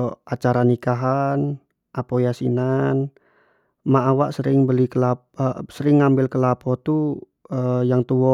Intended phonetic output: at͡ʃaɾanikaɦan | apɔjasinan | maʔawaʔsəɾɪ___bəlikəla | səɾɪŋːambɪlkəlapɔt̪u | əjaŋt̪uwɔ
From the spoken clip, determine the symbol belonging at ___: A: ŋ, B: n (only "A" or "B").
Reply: A